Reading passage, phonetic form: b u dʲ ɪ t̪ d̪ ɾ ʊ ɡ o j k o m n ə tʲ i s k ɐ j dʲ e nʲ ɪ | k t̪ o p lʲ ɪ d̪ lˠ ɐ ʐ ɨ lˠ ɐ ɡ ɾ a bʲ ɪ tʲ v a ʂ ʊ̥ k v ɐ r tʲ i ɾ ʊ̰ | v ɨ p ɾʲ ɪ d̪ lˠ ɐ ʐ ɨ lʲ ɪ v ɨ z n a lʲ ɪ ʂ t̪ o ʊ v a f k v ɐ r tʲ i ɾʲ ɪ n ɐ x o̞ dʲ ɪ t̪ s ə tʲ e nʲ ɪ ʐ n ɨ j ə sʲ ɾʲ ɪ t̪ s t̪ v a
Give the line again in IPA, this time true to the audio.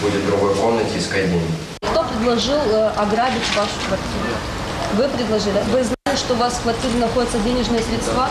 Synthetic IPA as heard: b u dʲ ɪ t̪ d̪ ɾ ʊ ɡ o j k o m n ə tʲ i s k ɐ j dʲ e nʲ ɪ | k t̪ o p ɾʲ ɪ d̪ lˠ ɐ ʐ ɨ lˠ ɐ ɡ ɾ a bʲ ɪ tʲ v a ʂ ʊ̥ k v ɐ r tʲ i ɾ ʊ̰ | v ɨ p ɾʲ ɪ d̪ lˠ ɐ ʐ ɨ lʲ ɪ v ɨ z n a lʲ ɪ ʂ t̪ o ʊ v a s k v ɐ r tʲ i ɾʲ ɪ n ɐ x o̞ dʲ ɪ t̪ s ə dʲ e nʲ ɪ ʐ n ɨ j ə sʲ ɾʲ ɪ t̪ s t̪ v a